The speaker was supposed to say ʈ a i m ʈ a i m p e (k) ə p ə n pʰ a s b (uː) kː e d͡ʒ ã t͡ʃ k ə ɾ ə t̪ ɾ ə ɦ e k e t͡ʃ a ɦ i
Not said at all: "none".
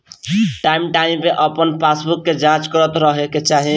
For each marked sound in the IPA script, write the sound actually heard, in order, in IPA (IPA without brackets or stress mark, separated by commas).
ʔ, u